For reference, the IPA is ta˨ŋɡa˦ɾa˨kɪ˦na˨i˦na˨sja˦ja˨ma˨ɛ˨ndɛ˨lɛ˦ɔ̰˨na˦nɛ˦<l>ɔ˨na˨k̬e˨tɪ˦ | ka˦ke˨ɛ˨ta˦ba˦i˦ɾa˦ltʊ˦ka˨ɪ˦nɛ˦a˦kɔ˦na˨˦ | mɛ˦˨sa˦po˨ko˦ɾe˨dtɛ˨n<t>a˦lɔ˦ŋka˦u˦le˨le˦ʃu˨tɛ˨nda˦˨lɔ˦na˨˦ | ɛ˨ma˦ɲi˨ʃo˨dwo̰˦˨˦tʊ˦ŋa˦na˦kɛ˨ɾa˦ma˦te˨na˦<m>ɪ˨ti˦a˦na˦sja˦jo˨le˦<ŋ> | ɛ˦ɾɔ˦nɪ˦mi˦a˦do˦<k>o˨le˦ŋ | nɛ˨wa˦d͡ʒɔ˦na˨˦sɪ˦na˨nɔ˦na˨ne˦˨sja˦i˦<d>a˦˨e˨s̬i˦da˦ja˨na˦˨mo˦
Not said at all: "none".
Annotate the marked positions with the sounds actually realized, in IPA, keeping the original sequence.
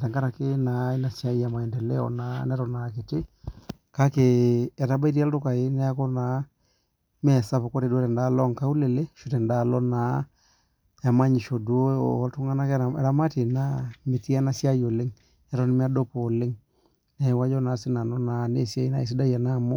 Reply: ɾ, d, m, ŋ, p, n

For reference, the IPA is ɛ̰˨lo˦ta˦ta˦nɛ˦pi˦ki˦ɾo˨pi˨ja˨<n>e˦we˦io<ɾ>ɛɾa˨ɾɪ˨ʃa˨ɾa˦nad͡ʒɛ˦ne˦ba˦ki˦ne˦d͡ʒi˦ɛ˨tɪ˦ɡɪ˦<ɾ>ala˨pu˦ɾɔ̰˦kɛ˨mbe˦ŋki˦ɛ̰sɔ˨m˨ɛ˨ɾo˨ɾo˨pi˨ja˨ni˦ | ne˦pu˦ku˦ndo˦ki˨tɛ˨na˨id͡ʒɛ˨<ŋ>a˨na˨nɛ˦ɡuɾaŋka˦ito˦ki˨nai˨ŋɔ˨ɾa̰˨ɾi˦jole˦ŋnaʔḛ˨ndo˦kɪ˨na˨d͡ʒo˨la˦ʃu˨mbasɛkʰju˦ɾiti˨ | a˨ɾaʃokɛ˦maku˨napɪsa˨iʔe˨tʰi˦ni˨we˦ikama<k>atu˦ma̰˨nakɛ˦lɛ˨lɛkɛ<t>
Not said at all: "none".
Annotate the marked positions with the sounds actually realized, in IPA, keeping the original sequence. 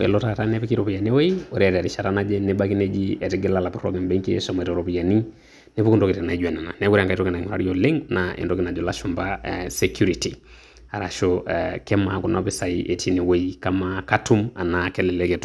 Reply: n, ɾ, l, n, k, t

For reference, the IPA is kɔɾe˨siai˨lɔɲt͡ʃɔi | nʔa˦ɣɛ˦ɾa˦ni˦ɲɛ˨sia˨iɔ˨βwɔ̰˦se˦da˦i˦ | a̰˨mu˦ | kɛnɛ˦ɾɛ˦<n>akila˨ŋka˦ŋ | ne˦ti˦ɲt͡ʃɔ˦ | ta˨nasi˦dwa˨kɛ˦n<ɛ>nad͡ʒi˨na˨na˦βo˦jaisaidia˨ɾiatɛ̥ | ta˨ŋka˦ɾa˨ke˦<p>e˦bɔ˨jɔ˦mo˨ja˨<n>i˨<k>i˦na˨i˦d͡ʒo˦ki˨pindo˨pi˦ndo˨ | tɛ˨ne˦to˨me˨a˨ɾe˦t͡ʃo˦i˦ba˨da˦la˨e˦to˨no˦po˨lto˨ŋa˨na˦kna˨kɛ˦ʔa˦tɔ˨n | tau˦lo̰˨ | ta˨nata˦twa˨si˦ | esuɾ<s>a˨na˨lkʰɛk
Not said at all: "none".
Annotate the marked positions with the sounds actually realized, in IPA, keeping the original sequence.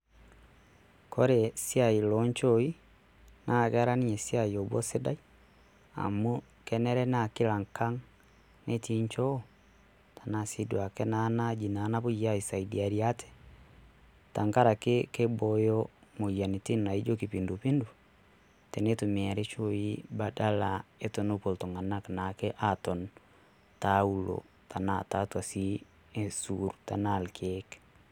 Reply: n, a, k, n, t, t

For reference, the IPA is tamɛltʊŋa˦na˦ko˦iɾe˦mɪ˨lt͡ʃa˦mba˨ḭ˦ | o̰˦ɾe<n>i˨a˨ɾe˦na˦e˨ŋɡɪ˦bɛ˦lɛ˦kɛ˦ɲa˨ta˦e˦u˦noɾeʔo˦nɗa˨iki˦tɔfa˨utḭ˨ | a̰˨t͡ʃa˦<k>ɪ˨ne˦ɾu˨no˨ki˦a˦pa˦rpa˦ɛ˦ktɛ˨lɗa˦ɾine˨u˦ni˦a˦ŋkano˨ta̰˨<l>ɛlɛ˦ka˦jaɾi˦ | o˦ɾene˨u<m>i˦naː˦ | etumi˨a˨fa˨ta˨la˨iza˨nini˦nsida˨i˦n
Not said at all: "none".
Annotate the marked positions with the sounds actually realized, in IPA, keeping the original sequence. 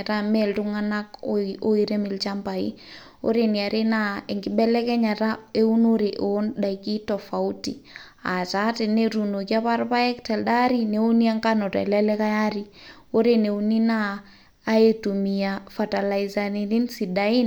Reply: n, t, l, n

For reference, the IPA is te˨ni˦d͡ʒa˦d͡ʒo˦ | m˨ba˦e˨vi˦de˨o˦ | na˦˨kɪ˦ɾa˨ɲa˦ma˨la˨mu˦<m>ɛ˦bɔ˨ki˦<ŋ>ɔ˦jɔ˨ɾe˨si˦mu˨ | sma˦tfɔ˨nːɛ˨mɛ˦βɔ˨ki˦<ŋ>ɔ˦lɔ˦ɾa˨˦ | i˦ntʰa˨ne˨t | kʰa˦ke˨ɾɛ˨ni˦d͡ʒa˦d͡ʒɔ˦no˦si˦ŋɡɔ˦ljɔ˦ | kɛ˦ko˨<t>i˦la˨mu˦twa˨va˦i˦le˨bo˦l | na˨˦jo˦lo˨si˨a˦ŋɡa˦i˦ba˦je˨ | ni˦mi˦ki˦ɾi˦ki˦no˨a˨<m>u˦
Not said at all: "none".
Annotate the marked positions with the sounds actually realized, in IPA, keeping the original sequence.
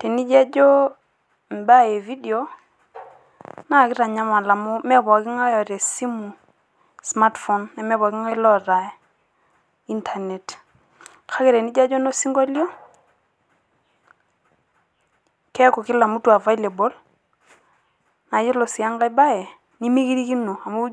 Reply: m, ŋ, ŋ, k, m

